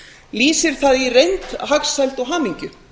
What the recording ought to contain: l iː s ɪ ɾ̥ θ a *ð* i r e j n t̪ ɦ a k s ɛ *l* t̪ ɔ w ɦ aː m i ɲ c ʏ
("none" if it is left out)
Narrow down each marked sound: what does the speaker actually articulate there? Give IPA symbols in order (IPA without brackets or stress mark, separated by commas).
ð, l